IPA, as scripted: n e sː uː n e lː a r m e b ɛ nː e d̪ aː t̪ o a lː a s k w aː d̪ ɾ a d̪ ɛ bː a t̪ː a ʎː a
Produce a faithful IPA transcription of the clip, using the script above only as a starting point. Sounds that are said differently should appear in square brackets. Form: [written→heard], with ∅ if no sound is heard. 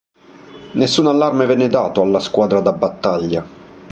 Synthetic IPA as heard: n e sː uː n [e→a] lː a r m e [b→v] ɛ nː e d̪ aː t̪ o a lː a s k w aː d̪ ɾ a d̪ [ɛ→a] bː a t̪ː a ʎː a